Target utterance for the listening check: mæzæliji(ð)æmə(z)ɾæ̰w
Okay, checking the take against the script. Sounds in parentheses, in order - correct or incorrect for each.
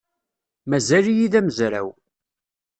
correct, correct

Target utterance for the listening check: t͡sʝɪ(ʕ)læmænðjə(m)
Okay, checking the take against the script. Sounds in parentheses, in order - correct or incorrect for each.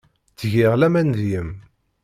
incorrect, correct

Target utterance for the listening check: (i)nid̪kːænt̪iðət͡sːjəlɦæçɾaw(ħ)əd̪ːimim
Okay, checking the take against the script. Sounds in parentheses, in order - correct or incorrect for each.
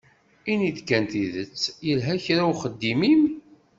correct, incorrect

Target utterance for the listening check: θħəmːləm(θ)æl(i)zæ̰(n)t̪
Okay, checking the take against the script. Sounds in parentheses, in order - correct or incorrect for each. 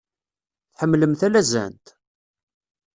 correct, incorrect, correct

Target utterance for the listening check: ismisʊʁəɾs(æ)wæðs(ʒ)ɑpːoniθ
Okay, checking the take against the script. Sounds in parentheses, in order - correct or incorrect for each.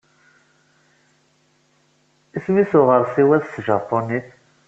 incorrect, correct

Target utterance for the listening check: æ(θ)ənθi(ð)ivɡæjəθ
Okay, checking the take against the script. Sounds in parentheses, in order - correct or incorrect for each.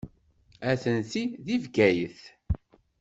correct, correct

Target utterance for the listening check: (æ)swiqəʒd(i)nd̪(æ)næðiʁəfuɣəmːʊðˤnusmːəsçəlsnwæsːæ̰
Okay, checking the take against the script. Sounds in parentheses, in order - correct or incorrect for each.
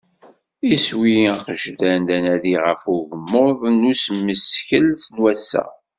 incorrect, incorrect, correct

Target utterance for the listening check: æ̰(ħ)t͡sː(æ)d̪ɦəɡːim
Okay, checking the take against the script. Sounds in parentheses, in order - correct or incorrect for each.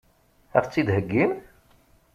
incorrect, incorrect

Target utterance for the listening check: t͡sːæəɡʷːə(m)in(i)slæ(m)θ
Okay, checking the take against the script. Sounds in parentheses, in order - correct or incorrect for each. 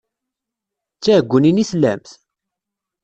incorrect, correct, correct

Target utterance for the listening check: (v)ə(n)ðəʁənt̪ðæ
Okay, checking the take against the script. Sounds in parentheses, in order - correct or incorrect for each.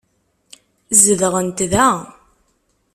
incorrect, incorrect

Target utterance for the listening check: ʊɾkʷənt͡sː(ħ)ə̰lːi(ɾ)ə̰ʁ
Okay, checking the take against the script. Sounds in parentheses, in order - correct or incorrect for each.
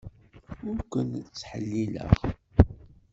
correct, incorrect

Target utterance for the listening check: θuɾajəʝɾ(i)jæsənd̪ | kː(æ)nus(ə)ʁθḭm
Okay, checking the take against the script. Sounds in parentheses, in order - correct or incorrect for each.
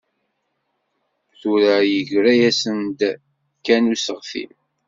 incorrect, correct, correct

